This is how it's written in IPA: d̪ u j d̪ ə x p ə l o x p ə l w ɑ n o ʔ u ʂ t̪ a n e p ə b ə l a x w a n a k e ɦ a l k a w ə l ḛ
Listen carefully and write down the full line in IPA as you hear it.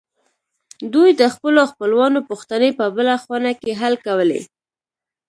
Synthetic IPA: d̪ u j d̪ ə x p ə l o x p ə l w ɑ n o p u x t̪ a n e p ə b ə l a x w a n a k e ɦ a l k a w ə l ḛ